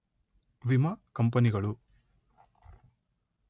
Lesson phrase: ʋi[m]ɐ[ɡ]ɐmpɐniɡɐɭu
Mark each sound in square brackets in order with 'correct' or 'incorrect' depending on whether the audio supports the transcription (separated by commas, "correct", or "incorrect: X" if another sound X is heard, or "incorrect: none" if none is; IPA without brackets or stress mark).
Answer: correct, incorrect: k